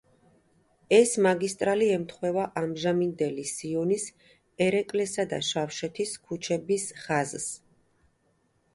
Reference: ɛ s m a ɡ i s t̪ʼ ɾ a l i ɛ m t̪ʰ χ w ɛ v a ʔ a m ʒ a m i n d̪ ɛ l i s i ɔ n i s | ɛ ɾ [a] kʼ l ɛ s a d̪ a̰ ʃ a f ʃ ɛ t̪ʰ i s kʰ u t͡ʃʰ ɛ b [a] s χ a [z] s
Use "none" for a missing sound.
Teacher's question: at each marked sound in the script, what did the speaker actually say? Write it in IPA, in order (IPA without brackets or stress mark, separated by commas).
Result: ɛ, i, z